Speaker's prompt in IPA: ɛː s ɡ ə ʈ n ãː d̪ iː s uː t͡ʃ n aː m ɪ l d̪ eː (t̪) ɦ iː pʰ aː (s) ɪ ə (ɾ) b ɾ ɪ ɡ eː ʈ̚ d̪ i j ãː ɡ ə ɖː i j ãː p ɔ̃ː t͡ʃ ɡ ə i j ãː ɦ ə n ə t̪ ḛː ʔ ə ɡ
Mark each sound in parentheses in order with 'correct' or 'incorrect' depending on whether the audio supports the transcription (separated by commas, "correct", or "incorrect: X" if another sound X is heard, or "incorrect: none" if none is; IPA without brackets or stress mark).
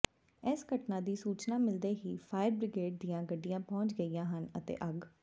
incorrect: none, incorrect: none, correct